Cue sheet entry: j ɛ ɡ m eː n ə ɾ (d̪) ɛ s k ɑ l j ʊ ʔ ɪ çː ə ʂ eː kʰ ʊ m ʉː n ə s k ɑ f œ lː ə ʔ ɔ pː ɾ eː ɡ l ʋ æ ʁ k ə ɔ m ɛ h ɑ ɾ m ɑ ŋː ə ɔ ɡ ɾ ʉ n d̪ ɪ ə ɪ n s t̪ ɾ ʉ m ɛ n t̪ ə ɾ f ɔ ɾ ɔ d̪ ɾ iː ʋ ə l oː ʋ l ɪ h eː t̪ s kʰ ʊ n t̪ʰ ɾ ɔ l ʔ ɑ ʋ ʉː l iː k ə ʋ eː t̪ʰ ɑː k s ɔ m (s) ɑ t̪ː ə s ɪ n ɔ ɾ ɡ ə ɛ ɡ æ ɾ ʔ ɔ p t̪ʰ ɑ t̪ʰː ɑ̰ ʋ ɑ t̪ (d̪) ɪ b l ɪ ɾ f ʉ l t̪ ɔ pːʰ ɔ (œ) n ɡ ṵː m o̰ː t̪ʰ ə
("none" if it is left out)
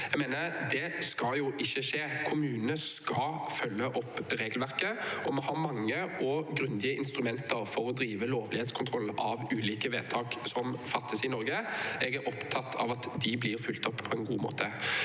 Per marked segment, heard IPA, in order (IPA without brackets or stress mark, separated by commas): d̪, f, d̪, ɛ